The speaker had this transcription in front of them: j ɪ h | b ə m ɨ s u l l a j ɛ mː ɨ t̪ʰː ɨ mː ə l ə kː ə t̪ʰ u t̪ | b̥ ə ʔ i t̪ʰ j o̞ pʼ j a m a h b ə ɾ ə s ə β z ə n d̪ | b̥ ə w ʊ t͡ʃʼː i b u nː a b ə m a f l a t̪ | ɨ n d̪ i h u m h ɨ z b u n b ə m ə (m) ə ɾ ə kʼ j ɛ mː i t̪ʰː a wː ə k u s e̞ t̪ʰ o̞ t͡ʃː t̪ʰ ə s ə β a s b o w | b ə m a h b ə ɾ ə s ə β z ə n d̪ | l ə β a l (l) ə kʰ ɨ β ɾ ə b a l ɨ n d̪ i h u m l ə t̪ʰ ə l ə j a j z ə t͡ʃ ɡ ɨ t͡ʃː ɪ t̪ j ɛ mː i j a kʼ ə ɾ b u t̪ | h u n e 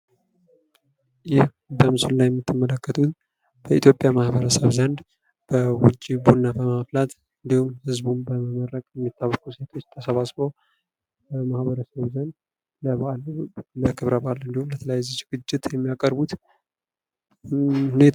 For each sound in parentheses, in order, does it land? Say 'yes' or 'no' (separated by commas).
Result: yes, yes